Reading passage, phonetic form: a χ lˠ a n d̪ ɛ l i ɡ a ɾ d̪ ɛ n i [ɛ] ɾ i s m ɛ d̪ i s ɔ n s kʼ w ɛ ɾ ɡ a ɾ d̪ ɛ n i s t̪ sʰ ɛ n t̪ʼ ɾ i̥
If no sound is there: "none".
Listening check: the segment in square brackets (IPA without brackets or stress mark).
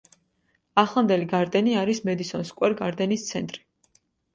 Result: a